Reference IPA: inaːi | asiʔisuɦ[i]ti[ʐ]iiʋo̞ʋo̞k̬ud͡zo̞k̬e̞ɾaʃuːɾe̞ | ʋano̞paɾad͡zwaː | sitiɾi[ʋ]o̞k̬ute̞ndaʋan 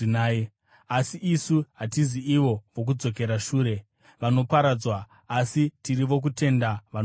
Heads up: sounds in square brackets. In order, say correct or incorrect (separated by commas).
incorrect, incorrect, correct